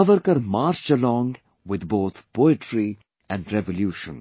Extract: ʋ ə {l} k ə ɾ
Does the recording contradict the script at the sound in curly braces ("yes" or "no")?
yes